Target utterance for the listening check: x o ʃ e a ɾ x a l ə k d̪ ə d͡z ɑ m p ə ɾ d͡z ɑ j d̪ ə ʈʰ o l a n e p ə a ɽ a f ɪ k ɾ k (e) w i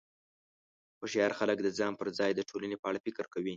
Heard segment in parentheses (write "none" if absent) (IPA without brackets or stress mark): a